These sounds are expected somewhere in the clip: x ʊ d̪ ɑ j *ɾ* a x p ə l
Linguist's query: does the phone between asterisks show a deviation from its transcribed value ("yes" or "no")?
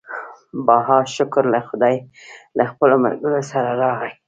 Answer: yes